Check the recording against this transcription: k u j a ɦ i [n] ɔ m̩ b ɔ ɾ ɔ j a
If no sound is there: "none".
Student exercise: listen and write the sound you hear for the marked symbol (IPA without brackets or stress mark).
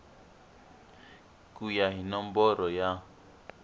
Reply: n